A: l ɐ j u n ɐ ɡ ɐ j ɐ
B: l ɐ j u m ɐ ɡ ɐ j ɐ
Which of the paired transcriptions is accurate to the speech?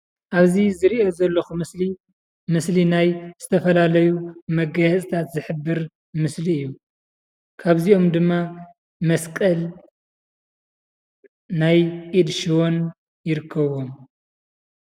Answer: B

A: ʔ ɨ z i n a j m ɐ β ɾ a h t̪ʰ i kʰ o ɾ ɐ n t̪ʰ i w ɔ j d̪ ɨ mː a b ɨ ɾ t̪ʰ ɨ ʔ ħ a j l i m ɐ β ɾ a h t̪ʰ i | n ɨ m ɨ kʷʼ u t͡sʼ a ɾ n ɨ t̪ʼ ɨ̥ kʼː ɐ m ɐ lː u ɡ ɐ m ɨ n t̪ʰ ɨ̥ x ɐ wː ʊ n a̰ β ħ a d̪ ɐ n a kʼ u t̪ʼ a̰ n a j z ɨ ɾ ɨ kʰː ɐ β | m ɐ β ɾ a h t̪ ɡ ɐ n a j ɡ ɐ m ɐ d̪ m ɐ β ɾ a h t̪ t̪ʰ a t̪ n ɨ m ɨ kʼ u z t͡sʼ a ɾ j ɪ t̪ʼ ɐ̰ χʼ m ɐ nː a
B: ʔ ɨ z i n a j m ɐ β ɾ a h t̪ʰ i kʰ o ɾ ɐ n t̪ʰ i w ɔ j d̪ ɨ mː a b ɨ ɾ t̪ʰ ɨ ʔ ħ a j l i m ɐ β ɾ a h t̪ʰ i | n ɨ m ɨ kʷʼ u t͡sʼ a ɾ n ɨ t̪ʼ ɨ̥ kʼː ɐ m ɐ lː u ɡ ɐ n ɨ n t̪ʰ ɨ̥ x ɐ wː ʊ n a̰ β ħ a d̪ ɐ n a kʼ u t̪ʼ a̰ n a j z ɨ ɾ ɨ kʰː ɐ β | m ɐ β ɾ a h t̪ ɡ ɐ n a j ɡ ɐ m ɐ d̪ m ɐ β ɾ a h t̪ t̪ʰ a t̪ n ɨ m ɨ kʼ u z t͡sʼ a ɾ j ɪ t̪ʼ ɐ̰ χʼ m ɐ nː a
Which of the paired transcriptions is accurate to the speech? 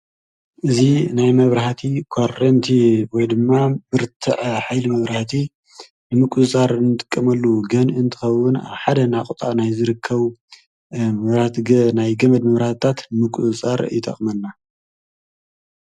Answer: B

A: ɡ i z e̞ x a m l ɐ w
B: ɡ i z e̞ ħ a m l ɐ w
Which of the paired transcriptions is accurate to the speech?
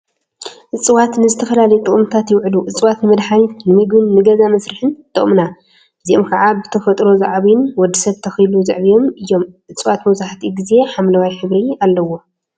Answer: B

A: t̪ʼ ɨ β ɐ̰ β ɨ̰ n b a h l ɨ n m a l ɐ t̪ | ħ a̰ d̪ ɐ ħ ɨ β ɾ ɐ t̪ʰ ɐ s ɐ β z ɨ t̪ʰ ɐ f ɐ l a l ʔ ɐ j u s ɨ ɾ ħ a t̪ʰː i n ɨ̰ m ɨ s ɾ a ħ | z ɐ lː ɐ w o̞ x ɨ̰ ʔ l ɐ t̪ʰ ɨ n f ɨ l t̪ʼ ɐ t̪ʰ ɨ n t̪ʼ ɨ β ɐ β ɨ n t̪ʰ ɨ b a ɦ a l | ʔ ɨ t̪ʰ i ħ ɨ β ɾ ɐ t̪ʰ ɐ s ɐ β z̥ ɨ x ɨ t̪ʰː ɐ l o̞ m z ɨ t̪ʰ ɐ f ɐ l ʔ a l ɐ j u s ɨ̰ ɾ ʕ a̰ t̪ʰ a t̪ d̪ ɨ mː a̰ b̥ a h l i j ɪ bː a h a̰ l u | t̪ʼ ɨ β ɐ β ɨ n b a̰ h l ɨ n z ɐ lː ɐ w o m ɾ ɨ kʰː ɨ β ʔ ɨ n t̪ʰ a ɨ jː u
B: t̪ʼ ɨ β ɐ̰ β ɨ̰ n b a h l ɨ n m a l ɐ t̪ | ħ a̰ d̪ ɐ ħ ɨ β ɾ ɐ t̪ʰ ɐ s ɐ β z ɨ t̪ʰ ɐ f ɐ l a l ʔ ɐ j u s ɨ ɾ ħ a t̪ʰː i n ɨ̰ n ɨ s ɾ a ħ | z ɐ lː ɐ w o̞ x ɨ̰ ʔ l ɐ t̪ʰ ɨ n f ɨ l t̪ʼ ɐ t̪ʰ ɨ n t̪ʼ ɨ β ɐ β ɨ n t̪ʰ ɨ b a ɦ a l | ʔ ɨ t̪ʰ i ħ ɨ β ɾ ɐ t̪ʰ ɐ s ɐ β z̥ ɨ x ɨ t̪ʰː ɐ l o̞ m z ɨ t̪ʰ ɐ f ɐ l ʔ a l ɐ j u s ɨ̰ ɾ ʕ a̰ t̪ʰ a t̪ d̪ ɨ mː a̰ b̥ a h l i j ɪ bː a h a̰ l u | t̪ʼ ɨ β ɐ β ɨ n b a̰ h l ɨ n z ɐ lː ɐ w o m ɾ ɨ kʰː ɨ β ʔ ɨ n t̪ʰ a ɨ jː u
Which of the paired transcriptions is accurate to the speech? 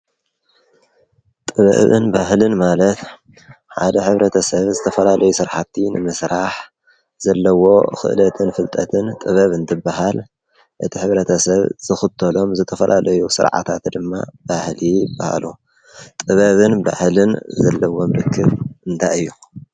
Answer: A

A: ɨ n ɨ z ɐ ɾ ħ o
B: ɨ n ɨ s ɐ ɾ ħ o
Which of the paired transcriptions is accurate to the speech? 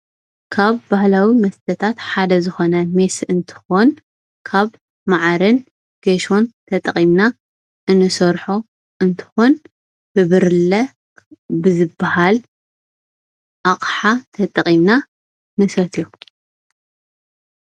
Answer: B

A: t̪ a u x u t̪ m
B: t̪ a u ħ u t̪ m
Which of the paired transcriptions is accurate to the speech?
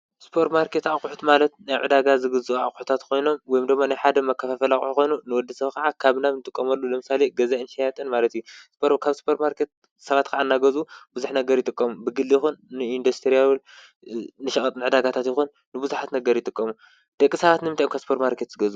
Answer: B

